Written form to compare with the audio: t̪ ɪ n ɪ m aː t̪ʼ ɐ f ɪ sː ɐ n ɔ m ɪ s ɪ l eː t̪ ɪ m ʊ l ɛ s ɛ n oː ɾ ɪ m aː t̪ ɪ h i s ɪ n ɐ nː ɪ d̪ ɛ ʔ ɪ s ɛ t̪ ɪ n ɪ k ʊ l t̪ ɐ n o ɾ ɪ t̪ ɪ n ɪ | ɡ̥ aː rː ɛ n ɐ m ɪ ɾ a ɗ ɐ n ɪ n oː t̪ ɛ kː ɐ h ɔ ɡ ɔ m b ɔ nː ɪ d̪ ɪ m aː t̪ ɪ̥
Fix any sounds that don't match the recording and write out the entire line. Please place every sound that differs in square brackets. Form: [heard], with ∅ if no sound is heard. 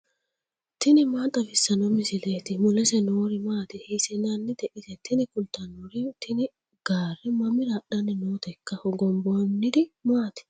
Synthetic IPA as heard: t̪ ɪ n ɪ m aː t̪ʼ ɐ f ɪ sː ɐ n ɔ m ɪ s ɪ l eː t̪ ɪ m ʊ l ɛ s ɛ n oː ɾ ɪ m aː t̪ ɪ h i s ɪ n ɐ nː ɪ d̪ ɛ ʔ ɪ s ɛ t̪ ɪ n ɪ k ʊ l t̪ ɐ n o ɾ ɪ t̪ ɪ n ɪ | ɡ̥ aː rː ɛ [m] ɐ m ɪ ɾ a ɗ ɐ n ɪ n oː t̪ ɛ kː ɐ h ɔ ɡ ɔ m b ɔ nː ɪ d̪ ɪ m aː t̪ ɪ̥

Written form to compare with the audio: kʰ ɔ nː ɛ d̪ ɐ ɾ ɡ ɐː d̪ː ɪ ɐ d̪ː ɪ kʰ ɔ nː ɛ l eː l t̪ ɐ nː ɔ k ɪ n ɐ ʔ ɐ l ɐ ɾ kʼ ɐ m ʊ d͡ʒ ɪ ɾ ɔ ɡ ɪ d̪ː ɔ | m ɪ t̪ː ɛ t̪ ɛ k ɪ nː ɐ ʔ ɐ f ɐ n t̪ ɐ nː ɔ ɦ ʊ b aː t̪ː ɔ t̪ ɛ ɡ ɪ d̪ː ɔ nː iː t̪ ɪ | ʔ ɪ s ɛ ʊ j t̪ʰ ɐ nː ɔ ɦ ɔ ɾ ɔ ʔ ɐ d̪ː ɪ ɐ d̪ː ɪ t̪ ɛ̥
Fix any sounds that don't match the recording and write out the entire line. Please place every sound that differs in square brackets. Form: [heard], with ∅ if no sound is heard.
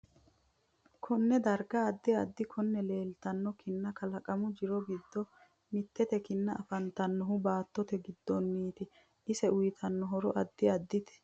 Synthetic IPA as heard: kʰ ɔ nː ɛ d̪ ɐ ɾ ɡ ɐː d̪ː ɪ ɐ d̪ː ɪ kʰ ɔ nː ɛ l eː l t̪ ɐ nː ɔ k ɪ [nː] ɐ [k] ɐ l ɐ [∅] kʼ ɐ m ʊ d͡ʒ ɪ ɾ ɔ ɡ ɪ d̪ː ɔ | m ɪ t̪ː ɛ t̪ ɛ k ɪ nː ɐ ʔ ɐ f ɐ n t̪ ɐ nː ɔ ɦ ʊ b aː t̪ː ɔ t̪ ɛ ɡ ɪ d̪ː ɔ nː iː t̪ ɪ | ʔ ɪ s ɛ ʊ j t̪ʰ ɐ nː ɔ ɦ ɔ ɾ ɔ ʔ ɐ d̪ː ɪ ɐ d̪ː ɪ t̪ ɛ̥

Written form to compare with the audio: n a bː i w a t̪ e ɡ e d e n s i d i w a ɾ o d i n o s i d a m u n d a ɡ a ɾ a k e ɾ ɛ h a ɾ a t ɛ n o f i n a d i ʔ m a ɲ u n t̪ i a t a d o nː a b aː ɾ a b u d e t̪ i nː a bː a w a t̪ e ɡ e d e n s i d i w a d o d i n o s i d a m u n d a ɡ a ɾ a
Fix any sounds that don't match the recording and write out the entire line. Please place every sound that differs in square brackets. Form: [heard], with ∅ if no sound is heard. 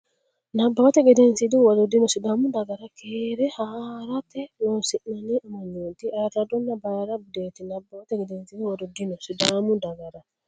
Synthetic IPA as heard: n a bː [a] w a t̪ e ɡ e d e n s i d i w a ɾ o d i n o s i d a m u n d a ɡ a ɾ a k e ɾ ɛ h a ɾ a t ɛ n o [s] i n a [n] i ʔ m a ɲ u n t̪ i a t a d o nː a b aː ɾ a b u d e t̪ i [n] a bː a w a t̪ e ɡ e d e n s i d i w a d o d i n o s i d a m u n d a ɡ a ɾ a

